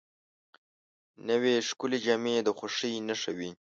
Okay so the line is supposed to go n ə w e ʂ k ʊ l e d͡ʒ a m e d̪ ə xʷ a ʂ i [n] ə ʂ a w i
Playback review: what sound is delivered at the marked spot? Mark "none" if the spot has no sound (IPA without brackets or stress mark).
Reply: n